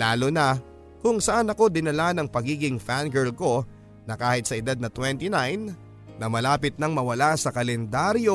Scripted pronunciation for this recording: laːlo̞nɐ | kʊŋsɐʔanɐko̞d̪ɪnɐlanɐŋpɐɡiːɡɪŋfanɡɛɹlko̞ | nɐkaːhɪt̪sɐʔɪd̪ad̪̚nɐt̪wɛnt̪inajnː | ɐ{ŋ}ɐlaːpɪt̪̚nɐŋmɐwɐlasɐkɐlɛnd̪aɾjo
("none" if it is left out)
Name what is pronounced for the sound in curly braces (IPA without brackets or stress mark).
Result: m